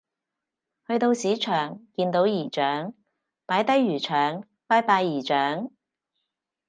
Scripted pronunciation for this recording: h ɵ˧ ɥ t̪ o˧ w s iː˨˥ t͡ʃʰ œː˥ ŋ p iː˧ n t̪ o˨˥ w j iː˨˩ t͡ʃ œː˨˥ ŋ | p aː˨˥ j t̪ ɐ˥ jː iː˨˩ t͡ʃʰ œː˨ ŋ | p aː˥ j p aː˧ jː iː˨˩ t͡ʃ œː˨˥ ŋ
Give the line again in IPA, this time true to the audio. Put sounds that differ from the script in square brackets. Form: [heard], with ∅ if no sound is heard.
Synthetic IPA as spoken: h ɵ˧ ɥ t̪ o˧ w s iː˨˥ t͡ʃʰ [œː˨˩] ŋ [k] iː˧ n t̪ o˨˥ w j iː˨˩ t͡ʃ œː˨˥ ŋ | p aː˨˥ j t̪ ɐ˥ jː [yː˨˩] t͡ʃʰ œː˨ ŋ | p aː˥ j p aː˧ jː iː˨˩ t͡ʃ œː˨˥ ŋ